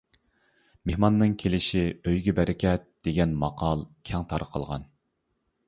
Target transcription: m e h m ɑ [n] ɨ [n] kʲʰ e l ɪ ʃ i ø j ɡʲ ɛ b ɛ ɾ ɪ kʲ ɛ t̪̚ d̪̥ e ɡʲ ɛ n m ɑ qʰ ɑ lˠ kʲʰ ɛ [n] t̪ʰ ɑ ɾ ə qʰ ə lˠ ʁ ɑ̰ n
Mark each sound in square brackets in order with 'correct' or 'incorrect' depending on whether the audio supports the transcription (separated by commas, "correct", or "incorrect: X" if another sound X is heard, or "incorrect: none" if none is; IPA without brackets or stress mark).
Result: incorrect: nː, incorrect: ŋ, incorrect: ŋ